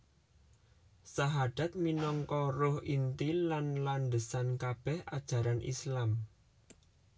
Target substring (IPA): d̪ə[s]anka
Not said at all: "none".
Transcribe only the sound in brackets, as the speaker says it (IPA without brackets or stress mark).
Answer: s